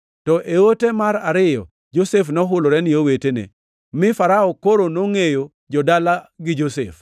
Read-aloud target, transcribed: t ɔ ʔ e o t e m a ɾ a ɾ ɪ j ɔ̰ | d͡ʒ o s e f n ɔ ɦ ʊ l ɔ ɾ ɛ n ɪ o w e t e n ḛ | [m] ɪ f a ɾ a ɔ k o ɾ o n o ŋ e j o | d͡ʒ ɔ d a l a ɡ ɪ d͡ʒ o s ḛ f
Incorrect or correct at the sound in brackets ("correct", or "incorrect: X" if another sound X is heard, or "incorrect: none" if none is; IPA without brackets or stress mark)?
correct